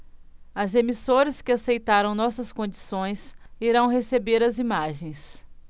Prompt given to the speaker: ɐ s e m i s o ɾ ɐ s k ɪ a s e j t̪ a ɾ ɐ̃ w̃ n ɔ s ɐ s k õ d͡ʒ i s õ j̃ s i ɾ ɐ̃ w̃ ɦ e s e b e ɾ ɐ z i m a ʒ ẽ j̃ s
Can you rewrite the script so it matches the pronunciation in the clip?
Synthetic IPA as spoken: ɐ z e m i s o ɾ ɐ s k ɪ a s e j t̪ a ɾ ɐ̃ w̃ n ɔ s ɐ s k õ d͡ʒ i s õ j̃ s i ɾ ɐ̃ w̃ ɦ e s e b e ɾ ɐ z i m a ʒ ẽ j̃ s